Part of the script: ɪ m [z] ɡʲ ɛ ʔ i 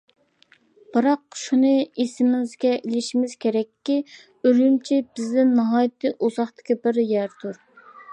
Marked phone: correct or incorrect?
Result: correct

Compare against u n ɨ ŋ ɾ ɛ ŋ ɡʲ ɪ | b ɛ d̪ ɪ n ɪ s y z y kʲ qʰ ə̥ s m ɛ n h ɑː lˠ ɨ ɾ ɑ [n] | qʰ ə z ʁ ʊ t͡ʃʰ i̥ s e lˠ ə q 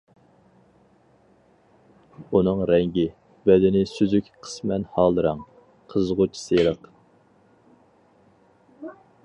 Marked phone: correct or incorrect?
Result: incorrect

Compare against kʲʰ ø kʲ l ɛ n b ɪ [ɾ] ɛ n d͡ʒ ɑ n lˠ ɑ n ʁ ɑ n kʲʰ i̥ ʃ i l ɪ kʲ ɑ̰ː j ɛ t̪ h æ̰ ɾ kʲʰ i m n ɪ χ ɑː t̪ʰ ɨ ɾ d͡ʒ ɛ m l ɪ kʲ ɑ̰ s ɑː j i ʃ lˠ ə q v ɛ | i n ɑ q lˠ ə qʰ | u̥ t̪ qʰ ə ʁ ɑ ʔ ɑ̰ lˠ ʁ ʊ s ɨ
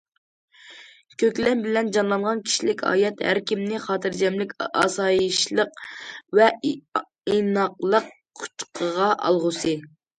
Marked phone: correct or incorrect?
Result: incorrect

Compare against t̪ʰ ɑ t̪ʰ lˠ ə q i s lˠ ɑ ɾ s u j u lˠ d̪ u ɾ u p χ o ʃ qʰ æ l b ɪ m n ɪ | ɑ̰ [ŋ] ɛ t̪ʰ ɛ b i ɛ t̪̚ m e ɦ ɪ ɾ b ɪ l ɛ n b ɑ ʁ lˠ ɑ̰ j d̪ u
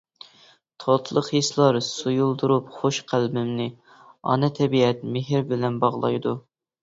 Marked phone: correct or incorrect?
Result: incorrect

